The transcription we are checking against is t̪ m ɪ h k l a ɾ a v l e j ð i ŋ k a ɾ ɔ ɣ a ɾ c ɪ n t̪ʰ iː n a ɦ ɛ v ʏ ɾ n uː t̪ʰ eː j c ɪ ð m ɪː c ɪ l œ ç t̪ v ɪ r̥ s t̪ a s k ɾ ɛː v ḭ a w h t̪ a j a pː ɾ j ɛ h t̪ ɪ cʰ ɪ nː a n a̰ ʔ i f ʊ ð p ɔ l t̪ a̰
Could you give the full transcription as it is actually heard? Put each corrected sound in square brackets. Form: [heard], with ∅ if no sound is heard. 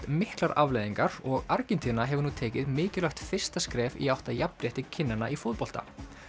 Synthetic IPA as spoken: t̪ m ɪ h k l a ɾ a v l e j ð i ŋ k a ɾ ɔ ɣ a ɾ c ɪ n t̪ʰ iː n a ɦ ɛ v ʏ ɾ n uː t̪ʰ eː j c ɪ ð m ɪː c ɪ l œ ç t̪ [f] ɪ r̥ s t̪ a s k ɾ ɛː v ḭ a w h t̪ a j a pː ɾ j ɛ h t̪ ɪ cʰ ɪ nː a n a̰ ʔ i f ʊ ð p ɔ l t̪ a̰

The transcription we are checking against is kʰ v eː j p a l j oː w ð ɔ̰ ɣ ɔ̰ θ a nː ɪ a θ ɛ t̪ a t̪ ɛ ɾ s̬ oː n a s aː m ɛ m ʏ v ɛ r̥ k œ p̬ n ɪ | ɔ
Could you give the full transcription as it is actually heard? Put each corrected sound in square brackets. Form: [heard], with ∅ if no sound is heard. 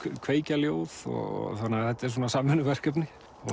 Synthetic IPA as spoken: kʰ v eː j [c] a l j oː w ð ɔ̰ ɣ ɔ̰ θ a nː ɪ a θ ɛ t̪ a [∅] ɛ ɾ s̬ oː n a s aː m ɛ [n] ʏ v ɛ r̥ k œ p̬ n ɪ | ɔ

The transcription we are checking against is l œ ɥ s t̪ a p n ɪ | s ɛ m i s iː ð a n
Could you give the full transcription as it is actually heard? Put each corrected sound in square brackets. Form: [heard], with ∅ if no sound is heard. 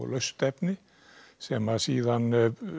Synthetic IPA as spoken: l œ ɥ s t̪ [ɛ] p n ɪ | s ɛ m [a] s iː ð a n

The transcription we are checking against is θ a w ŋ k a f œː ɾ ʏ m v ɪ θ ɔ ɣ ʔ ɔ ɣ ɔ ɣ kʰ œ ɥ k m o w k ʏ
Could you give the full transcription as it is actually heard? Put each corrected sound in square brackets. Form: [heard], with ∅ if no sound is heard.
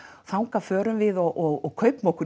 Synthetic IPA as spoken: θ a w ŋ k a f œː ɾ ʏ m v ɪ [ð] ɔ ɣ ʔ ɔ ɣ ɔ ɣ kʰ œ ɥ [p] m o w k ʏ

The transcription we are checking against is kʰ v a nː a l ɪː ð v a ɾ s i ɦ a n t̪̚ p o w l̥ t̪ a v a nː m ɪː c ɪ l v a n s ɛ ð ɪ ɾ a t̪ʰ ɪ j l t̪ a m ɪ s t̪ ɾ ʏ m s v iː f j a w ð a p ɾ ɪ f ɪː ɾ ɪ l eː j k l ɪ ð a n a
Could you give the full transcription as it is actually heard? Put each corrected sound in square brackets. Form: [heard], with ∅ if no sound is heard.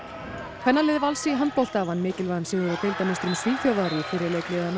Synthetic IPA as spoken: kʰ v [ɛ] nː a l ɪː ð v a [l] s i ɦ a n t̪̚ p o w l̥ t̪ a v a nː m ɪː c ɪ l v a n s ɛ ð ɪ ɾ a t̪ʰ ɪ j l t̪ a m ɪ s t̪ ɾ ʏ m s v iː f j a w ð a [∅] ɾ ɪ f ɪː ɾ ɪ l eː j k l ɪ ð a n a

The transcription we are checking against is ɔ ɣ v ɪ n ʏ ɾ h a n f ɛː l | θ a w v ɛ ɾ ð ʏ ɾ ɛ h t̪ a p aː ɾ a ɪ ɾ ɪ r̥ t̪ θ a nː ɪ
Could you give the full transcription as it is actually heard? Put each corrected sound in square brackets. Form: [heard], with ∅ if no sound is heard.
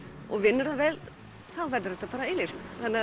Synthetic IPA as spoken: ɔ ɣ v ɪ [nː] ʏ ɾ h a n [v] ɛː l | θ a w v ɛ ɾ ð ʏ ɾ ɛ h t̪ a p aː ɾ a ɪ [l] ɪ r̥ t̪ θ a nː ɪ

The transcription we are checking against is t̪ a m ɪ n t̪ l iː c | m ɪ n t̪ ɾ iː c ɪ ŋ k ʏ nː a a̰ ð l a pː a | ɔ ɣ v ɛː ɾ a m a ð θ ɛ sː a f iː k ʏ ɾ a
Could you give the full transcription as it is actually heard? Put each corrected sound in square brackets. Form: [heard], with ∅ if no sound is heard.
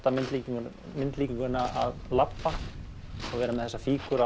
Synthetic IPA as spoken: t̪ a m ɪ n t̪ l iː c | m ɪ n t̪ [l] iː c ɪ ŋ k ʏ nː a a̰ ð l a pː a | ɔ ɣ v ɛː ɾ a m [ɛ] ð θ ɛ sː a f iː k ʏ ɾ a

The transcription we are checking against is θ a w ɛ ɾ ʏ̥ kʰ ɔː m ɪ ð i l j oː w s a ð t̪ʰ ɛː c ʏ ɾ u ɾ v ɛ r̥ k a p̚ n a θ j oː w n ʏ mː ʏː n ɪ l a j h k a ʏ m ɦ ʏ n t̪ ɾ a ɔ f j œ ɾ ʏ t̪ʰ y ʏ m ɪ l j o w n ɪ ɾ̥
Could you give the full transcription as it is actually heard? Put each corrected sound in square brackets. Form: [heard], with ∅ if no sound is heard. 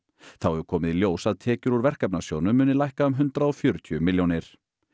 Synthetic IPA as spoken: θ a w ɛ ɾ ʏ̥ kʰ ɔː m ɪ ð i l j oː w s a ð t̪ʰ ɛː c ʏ ɾ u ɾ v ɛ r̥ k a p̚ n a [s] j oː w n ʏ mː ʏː n ɪ l a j h k a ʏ m ɦ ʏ n t̪ ɾ a ɔ f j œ ɾ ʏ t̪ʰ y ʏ m ɪ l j o w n ɪ ɾ̥

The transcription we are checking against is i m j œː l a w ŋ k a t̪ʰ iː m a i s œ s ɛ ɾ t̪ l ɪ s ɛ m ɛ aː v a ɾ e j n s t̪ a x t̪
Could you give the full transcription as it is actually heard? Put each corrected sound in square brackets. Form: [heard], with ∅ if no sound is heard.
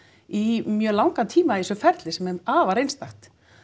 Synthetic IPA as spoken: i m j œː l a w ŋ k a t̪ʰ iː m a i s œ [f] ɛ ɾ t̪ l ɪ s ɛ m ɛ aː v a ɾ e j n s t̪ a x t̪

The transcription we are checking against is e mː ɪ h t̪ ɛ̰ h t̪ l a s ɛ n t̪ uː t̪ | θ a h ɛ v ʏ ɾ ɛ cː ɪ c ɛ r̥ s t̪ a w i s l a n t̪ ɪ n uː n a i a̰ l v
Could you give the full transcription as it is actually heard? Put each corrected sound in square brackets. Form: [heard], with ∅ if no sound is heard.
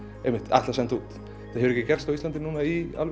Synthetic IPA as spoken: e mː ɪ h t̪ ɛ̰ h t̪ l a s ɛ n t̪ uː t̪ | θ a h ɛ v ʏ ɾ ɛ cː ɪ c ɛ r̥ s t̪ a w i s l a n t̪ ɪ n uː n a i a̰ l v

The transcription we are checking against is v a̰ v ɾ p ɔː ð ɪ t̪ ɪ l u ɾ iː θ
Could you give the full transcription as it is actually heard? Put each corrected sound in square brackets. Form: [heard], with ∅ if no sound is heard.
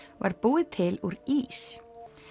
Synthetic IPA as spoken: v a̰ [∅] ɾ p [uː] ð ɪ [t̪ʰ] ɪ l u ɾ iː [s]

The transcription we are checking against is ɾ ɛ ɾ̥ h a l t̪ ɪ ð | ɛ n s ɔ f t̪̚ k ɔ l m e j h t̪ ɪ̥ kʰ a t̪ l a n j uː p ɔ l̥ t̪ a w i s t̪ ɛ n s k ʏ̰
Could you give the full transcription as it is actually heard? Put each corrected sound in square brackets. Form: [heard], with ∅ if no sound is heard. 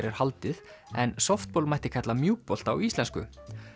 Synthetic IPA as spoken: ɾ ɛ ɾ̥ h a l t̪ ɪ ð | ɛ n s ɔ f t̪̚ [p] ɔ l m [a] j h t̪ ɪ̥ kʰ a t̪ l a [m] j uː p ɔ l̥ t̪ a w i s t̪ ɛ n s k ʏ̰

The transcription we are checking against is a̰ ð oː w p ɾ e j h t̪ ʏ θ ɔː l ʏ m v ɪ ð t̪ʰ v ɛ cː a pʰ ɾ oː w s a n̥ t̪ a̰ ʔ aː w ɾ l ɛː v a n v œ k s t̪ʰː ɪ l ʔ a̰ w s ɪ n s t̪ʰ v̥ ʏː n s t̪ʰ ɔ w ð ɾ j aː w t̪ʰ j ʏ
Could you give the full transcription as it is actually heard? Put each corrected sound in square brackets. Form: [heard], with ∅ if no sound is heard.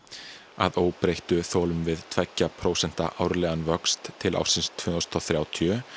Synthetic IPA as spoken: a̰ ð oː w p ɾ e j h t̪ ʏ θ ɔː l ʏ m v ɪ ð t̪ʰ v ɛ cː a pʰ ɾ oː w s [ɛ] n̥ t̪ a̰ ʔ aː w ɾ l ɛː [ɣ] a n v œ k s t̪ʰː ɪ l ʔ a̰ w s ɪ n s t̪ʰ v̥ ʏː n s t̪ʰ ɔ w [θ] ɾ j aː w t̪ʰ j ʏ

